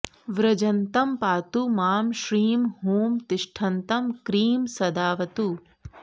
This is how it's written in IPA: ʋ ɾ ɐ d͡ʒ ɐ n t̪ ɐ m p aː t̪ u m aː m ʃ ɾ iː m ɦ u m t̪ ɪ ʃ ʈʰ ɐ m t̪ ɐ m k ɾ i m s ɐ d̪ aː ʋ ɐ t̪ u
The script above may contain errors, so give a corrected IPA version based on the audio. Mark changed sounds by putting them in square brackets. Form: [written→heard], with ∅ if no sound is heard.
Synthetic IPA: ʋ ɾ ɐ d͡ʒ ɐ n t̪ ɐ m p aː t̪ u m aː m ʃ ɾ iː m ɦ [u→uː] m t̪ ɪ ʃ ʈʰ ɐ [m→n] t̪ ɐ m k ɾ [i→iː] m s ɐ d̪ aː ʋ ɐ t̪ u

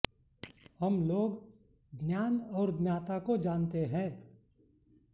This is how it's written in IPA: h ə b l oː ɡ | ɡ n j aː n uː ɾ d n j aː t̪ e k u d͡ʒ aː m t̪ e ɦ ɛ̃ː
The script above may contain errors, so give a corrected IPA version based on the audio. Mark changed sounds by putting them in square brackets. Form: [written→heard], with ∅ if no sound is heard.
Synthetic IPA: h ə [b→m] l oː ɡ | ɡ n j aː n [uː→ɔː] ɾ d n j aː t̪ [e→a] k [u→o] d͡ʒ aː [m→n] t̪ e ɦ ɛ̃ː

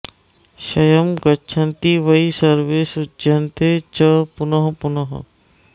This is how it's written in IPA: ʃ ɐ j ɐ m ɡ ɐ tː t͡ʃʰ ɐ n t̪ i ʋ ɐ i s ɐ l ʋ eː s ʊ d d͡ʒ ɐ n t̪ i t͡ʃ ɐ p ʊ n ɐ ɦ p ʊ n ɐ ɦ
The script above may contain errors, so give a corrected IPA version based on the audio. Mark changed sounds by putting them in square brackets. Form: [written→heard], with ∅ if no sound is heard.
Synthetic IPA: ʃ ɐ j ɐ m ɡ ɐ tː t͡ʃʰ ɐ n t̪ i ʋ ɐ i s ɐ [l→ɾ] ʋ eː s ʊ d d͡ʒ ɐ n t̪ [i→e] t͡ʃ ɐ p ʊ n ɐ ɦ p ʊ n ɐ ɦ

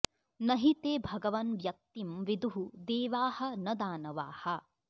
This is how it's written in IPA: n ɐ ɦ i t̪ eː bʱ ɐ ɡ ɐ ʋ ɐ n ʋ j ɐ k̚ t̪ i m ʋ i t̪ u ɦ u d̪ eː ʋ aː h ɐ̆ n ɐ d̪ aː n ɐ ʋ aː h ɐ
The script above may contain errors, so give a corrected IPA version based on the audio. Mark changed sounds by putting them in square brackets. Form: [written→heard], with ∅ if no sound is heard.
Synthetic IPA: n ɐ ɦ i t̪ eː bʱ ɐ ɡ ɐ ʋ ɐ n ʋ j ɐ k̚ t̪ i m ʋ i [t̪→d̪] u ɦ u d̪ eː ʋ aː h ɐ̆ n ɐ d̪ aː n ɐ ʋ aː h ɐ

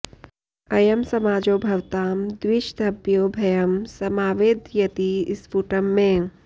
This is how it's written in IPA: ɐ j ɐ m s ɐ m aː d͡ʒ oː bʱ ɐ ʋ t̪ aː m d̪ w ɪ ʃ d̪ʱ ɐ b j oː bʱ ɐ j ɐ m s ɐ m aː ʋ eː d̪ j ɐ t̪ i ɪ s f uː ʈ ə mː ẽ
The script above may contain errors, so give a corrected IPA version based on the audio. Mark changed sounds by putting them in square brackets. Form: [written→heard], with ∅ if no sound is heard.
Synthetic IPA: ɐ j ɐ m s ɐ m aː d͡ʒ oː bʱ ɐ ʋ t̪ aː m d̪ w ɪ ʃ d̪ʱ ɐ b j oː bʱ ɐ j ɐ m s ɐ m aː ʋ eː d̪ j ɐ t̪ i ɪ s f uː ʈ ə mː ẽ

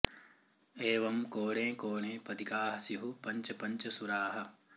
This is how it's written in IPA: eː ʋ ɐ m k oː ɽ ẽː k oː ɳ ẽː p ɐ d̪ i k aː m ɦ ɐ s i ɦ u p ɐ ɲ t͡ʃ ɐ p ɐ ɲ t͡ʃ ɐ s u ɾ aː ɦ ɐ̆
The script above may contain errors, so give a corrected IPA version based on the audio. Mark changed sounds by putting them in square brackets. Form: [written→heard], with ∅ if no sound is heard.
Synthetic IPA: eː ʋ ɐ m k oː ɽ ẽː k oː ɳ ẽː p ɐ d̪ i k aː [m→∅] ɦ ɐ s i ɦ u p ɐ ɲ t͡ʃ ɐ p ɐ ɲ t͡ʃ ɐ s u ɾ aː ɦ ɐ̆

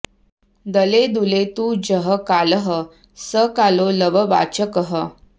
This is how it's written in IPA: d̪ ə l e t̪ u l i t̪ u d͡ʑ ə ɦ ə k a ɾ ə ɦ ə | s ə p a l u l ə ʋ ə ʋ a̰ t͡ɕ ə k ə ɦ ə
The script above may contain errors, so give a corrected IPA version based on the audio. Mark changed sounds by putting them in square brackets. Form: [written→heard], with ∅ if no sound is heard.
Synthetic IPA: d̪ ə l e [t̪→d̪] u l [i→e] t̪ u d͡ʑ ə ɦ ə k a [ɾ→l] ə ɦ ə | s ə [p→k] a l [u→o] l ə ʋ ə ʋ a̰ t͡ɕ ə k ə ɦ ə

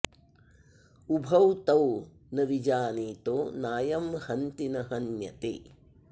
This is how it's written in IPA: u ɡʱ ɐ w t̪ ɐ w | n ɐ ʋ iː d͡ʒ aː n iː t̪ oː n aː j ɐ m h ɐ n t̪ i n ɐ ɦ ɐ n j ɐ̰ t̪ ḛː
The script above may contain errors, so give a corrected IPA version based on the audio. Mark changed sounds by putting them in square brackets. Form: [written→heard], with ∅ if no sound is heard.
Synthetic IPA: u [ɡʱ→bʱ] ɐ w t̪ ɐ w | n ɐ ʋ [iː→i] d͡ʒ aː n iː t̪ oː n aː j ɐ m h ɐ n t̪ i n ɐ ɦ ɐ n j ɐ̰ t̪ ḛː

